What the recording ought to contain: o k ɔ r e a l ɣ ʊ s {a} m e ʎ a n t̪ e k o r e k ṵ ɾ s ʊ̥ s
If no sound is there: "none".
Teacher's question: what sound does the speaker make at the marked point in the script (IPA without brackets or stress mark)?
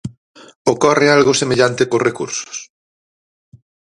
e